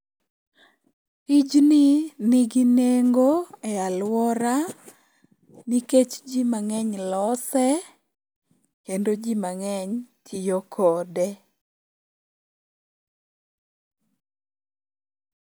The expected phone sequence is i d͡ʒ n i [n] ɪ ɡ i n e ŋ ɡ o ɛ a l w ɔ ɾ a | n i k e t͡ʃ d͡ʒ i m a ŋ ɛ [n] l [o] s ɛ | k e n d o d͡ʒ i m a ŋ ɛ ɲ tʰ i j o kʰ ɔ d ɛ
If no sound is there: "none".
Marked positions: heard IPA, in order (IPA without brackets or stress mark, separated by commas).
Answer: n, ɲ, ɔ